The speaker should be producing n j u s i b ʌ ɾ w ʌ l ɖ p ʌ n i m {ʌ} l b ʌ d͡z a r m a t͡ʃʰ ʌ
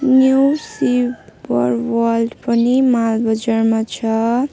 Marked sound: incorrect: a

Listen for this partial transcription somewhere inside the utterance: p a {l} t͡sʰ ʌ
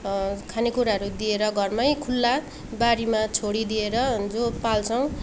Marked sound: correct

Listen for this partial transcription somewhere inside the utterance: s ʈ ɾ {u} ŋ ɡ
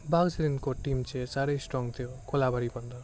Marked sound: incorrect: ɔ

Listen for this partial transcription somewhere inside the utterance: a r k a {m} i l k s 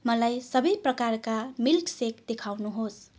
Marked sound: correct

